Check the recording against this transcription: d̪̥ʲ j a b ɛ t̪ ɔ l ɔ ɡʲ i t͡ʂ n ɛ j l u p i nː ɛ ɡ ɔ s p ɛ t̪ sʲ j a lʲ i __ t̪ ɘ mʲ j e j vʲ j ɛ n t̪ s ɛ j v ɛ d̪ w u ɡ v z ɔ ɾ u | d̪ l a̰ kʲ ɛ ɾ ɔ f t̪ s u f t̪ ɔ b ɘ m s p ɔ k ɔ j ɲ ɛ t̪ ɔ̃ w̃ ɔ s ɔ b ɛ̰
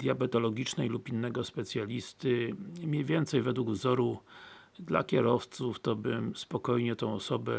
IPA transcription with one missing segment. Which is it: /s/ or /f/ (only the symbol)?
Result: s